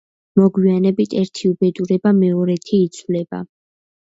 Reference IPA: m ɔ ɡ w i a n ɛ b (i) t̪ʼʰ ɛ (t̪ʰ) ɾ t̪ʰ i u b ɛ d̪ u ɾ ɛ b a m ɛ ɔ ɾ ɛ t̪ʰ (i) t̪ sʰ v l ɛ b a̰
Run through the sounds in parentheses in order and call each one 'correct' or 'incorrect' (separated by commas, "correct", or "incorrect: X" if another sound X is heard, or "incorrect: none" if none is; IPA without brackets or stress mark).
correct, incorrect: none, incorrect: iː